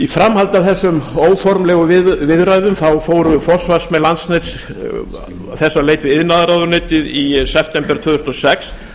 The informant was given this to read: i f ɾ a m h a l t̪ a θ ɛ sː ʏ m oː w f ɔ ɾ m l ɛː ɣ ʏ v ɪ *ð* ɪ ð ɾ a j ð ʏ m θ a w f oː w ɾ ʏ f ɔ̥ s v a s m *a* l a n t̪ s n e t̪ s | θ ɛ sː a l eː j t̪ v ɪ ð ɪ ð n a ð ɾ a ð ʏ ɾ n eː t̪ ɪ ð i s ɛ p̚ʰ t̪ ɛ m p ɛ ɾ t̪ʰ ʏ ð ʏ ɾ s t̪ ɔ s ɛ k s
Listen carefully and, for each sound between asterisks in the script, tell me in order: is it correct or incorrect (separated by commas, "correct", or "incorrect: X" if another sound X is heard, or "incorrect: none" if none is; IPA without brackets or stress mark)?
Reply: incorrect: v, incorrect: ɛ